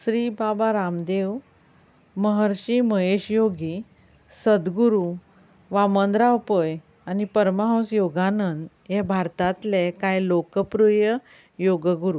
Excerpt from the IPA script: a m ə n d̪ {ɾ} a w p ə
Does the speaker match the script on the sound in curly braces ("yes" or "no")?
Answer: yes